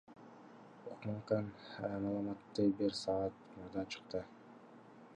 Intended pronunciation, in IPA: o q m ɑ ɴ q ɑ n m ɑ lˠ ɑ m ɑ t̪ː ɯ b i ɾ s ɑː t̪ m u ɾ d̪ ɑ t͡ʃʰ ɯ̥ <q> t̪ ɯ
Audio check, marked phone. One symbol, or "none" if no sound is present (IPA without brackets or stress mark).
q